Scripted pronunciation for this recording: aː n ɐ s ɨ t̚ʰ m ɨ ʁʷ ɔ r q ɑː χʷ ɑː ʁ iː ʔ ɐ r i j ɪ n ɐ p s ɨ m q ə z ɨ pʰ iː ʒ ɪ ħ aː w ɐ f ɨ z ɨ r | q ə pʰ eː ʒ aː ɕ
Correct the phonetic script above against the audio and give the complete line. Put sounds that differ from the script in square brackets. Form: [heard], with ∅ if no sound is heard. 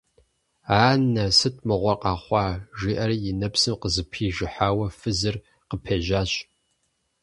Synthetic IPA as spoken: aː n ɐ s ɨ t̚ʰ m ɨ ʁʷ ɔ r q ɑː χʷ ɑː [ʒ] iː ʔ ɐ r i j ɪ n ɐ p s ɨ m q ə z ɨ pʰ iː ʒ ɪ ħ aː w ɐ f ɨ z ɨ r | q ə pʰ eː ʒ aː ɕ